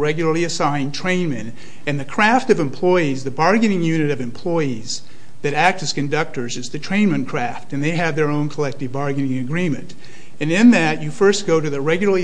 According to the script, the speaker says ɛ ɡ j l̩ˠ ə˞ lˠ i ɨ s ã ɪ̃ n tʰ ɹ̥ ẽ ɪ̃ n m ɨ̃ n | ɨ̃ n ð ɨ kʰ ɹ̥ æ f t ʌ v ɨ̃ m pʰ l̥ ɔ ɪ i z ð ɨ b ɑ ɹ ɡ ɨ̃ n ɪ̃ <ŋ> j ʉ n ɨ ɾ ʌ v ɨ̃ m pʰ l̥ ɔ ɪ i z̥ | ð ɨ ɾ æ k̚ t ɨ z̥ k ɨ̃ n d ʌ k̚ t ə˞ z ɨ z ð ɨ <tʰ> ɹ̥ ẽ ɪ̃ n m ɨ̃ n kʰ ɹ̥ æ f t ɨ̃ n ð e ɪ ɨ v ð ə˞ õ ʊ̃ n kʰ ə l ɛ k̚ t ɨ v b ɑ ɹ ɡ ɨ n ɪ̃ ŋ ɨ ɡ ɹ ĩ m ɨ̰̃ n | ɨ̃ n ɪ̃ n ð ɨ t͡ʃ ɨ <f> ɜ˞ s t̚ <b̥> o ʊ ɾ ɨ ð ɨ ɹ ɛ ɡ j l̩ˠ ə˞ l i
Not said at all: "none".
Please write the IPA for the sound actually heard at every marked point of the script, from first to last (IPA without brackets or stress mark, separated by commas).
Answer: ŋ, tʰ, f, ɡ̥